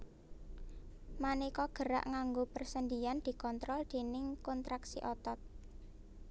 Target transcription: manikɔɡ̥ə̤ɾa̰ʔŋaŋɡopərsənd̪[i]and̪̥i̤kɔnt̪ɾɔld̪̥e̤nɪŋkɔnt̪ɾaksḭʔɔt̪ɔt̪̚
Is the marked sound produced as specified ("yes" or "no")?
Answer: yes